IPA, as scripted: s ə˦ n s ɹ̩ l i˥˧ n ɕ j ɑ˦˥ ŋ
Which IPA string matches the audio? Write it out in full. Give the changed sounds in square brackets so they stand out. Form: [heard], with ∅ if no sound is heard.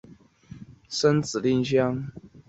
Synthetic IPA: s ə˦ n [t͡s] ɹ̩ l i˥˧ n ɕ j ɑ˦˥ ŋ